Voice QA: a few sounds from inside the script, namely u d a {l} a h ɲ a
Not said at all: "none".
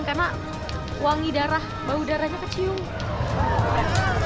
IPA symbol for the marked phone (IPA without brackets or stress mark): ɾ